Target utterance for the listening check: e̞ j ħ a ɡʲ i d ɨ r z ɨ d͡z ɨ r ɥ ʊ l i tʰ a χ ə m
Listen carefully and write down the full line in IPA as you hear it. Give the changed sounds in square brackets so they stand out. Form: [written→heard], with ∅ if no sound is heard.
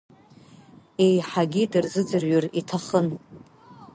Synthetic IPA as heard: e̞ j ħ a ɡʲ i d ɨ r z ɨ d͡z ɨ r ɥ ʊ [l→r] i tʰ a χ ə [m→n]